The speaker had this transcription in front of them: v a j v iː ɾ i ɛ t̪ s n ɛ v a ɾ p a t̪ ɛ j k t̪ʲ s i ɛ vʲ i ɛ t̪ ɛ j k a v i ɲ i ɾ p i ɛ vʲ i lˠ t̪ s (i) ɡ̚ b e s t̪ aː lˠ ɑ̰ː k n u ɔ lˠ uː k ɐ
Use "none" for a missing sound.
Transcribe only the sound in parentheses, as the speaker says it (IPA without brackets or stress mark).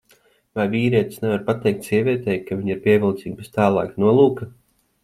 iː